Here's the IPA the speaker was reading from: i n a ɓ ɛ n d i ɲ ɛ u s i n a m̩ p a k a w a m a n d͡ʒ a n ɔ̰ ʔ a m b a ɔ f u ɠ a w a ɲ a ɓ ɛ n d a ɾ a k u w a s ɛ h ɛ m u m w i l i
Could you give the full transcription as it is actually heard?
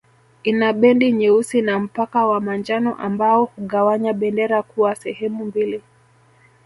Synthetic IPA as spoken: i n a ɓ ɛ n d i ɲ ɛ u s i n a m̩ p a k a w a m a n d͡ʒ a n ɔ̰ ʔ a m b a ɔ h u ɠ a w a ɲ a ɓ ɛ n d ɛ ɾ a k u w a s ɛ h ɛ m u m b i l i